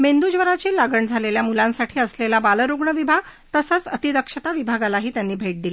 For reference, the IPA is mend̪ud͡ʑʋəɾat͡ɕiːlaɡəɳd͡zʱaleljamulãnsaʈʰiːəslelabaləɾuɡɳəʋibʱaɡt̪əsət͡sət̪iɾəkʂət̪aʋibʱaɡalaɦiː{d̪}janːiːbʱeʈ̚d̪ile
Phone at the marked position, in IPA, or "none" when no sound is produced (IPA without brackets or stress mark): t̪